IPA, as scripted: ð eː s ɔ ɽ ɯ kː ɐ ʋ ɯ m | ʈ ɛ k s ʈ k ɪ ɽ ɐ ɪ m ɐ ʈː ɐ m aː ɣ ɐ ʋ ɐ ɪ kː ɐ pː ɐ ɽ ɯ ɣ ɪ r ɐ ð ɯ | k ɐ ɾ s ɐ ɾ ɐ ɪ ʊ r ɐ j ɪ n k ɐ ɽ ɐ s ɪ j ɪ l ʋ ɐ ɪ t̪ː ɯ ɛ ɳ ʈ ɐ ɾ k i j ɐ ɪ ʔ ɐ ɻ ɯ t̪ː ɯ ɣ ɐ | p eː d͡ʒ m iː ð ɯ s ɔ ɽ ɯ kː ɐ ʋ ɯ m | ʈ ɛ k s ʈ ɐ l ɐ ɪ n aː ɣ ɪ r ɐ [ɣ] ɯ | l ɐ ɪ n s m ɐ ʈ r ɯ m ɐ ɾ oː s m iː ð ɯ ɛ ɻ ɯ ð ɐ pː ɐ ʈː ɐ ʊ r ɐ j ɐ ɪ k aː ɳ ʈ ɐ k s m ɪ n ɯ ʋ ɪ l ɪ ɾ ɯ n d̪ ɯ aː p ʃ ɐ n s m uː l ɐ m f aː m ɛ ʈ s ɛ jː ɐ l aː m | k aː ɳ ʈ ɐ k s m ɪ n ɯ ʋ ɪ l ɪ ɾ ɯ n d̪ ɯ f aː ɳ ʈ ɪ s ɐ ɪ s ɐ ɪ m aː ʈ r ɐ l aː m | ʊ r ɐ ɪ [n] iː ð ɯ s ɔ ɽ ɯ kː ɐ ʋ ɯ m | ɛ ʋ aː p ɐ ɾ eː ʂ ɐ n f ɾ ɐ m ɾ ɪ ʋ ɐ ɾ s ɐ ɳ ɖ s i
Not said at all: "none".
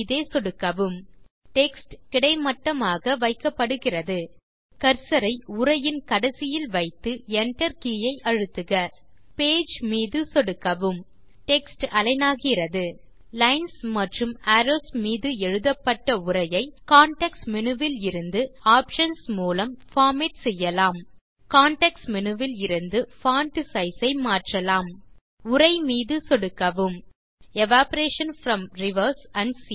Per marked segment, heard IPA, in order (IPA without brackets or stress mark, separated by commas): ð, m